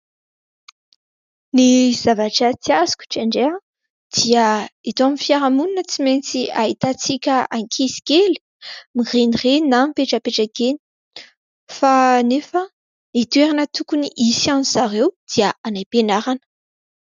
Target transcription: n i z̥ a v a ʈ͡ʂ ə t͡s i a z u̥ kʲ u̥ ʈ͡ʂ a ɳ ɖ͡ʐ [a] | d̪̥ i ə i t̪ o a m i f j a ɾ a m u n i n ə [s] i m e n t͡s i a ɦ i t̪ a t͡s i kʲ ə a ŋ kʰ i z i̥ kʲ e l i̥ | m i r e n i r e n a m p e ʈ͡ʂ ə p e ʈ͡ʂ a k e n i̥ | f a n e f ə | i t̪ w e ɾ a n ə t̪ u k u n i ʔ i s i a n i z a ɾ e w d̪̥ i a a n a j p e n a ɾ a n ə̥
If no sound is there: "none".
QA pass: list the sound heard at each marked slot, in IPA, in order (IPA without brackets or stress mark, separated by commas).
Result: e, t͡s